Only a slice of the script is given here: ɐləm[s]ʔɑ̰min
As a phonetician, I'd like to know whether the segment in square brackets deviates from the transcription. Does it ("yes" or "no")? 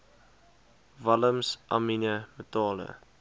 no